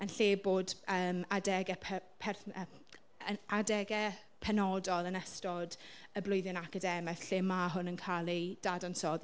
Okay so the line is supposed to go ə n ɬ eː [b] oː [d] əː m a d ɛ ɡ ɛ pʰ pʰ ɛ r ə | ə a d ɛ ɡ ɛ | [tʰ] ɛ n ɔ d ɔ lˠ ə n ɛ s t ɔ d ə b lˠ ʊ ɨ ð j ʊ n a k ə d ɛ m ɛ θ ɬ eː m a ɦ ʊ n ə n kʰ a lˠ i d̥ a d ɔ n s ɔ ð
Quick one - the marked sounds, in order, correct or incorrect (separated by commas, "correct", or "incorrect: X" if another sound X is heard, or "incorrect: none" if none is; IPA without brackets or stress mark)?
correct, correct, incorrect: pʰ